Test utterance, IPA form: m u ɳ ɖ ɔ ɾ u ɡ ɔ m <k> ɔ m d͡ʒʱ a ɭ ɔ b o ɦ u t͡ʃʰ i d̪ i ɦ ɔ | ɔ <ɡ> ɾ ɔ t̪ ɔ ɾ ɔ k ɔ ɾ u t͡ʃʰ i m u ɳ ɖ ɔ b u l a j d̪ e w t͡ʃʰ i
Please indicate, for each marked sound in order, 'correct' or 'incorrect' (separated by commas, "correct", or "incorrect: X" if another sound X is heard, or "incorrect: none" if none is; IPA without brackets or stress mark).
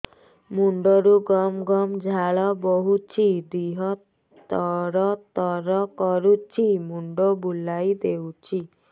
incorrect: ɡ, incorrect: none